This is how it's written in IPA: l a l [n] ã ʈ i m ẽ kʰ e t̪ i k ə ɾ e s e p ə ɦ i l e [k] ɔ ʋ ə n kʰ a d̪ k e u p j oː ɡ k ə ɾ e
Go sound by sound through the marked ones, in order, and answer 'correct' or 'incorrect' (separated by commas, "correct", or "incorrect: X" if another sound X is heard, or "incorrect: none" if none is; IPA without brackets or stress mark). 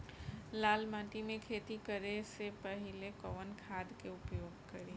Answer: incorrect: m, correct